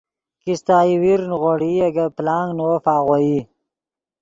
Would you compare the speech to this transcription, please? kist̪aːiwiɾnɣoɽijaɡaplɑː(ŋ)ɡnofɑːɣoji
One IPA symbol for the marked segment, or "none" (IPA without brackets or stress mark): ŋ